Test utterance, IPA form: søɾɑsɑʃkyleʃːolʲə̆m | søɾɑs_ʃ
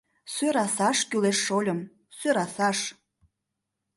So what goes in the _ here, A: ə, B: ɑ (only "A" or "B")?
B